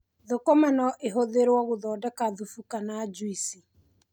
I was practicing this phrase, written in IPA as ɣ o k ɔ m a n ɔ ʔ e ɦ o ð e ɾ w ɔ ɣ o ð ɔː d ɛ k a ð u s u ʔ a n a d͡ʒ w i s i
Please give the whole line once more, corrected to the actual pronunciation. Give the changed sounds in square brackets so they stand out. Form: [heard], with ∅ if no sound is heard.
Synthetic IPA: [ð] o k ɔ m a n ɔ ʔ e ɦ o ð e ɾ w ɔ ɣ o ð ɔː d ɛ k a ð u [f] u [k] a n a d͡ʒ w i s i

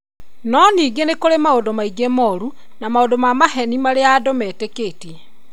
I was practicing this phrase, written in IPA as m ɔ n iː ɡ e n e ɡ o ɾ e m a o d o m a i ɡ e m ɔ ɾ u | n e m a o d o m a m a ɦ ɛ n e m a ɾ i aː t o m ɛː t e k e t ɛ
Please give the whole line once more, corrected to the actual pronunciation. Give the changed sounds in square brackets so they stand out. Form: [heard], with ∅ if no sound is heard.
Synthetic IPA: [n] ɔ n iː ɡ e n e [k] o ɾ e m a o d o m a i ɡ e m ɔ ɾ u | n [a] m a o d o m a m a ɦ ɛ n [i] m a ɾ [e] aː [d] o m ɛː t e k e t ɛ

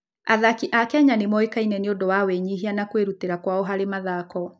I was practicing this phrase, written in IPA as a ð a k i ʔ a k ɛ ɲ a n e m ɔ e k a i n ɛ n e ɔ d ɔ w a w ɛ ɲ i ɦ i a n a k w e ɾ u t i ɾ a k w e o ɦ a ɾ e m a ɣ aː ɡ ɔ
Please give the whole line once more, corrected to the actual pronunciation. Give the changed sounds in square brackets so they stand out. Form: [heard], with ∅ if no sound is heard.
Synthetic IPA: a ð a k i ʔ a k ɛ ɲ a n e m ɔ e k a i n ɛ n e [o] d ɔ w a w ɛ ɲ i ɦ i a n a k w e ɾ u t [e] ɾ a k w [a] o ɦ a ɾ e m a [ð] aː [k] ɔ

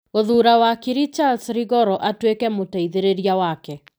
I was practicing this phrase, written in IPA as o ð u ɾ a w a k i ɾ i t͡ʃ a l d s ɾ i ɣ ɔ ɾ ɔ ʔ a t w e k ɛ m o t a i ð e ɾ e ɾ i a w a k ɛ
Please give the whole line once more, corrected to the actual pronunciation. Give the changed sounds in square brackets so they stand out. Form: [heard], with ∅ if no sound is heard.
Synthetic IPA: o ð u ɾ a w a k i ɾ i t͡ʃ a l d s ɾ i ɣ ɔ ɾ ɔ ʔ a t w e k ɛ m o t a i ð e ɾ e ɾ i a w a k ɛ

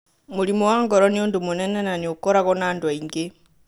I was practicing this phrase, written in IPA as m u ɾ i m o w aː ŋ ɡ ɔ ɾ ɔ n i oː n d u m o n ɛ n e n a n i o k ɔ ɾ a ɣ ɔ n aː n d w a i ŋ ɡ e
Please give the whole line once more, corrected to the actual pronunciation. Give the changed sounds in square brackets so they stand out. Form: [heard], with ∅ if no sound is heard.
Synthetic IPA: m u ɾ i m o w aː ŋ ɡ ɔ ɾ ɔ n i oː n d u m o n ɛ n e n a n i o k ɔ ɾ a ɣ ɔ n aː n d w a i ŋ ɡ e

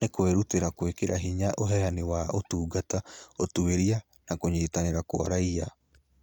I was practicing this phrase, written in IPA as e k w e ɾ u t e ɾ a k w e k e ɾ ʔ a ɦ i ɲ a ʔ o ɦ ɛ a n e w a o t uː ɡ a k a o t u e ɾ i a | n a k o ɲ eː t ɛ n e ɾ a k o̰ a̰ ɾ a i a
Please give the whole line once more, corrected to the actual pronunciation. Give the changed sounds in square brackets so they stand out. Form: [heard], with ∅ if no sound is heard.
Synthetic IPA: e k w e ɾ u t e ɾ a k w e k e ɾ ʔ a ɦ i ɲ a ʔ o ɦ ɛ a n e w a o t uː ɡ a [t] a o t u e ɾ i a | n a k o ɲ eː t [a] n e ɾ a k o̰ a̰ ɾ a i a

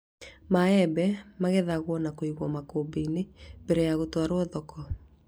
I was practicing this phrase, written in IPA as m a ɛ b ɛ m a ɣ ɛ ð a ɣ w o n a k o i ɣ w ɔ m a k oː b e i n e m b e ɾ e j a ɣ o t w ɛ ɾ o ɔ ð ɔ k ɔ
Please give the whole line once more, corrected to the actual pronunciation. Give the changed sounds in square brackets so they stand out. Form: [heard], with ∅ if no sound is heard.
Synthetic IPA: m a ɛ b ɛ m a ɣ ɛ ð a ɣ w [ɔ] n a k o i ɣ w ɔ m a k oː b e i n e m b e ɾ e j a ɣ o t w [a] ɾ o ɔ ð ɔ k ɔ

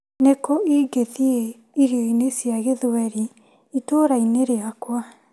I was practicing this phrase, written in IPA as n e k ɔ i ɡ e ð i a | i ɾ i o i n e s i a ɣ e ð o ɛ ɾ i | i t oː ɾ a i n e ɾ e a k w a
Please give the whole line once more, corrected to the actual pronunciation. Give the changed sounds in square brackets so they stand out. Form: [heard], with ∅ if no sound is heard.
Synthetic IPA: n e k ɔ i ɡ e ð i [e] | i ɾ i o i n e s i a ɣ e ð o ɛ ɾ i | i t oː ɾ a i n e ɾ e a k w a

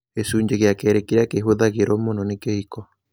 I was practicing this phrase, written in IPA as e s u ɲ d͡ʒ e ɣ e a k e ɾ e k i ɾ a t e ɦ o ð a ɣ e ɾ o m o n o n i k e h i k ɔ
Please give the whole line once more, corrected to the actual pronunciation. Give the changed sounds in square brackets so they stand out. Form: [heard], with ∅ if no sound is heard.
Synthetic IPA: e s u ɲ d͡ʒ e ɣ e a k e ɾ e k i ɾ a [k] e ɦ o ð a ɣ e ɾ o m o n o n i k e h i k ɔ

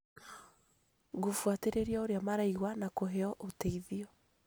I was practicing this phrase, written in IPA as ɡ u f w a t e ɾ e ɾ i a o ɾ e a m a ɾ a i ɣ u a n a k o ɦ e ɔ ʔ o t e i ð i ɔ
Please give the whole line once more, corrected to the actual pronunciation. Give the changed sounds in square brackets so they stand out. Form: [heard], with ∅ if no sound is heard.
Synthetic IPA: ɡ [o] f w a t e ɾ e ɾ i a o ɾ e a m a ɾ a i ɣ [w] a n a k o ɦ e ɔ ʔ o t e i ð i ɔ

